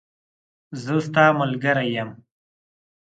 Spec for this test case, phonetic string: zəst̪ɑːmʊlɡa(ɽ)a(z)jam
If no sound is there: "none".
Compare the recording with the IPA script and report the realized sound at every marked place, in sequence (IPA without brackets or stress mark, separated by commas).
ɾ, none